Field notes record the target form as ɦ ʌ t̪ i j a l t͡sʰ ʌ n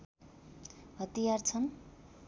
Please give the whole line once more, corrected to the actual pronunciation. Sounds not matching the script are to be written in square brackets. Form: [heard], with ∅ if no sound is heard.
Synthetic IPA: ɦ ʌ t̪ i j a [r] t͡sʰ ʌ n